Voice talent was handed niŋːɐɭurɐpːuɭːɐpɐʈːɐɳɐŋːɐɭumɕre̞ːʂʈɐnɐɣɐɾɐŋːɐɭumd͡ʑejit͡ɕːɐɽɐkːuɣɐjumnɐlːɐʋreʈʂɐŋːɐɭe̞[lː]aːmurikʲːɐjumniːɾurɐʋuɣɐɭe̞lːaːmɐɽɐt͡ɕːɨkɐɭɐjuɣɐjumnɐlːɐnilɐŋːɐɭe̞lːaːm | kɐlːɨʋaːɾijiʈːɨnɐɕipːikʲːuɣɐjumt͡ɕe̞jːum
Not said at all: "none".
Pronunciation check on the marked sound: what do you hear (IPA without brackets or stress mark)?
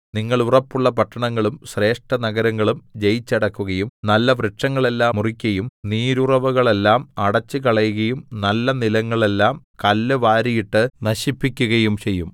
lː